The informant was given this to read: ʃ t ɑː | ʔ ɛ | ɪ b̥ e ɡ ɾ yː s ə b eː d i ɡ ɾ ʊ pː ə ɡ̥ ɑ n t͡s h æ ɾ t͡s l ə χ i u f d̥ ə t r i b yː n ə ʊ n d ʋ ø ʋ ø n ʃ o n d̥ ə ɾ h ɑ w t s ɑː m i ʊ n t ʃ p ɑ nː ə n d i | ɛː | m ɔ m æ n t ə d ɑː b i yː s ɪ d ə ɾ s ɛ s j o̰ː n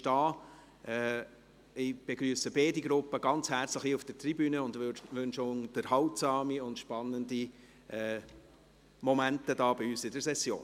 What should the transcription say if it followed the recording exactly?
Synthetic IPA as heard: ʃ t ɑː | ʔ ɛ | ɪ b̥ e ɡ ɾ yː s ə b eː d i ɡ ɾ ʊ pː ə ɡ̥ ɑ n t͡s h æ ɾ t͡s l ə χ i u f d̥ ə t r i b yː n ə ʊ n d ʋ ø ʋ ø n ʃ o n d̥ ə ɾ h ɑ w t s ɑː m i ʊ n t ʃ p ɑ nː ə n d i | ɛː | m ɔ m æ n t ə d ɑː b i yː s ɪ d ə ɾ s ɛ s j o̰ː n